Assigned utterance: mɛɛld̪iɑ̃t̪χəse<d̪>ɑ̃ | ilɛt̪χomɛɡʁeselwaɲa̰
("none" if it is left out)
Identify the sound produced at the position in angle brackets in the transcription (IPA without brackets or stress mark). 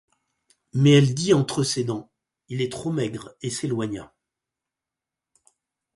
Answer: d̪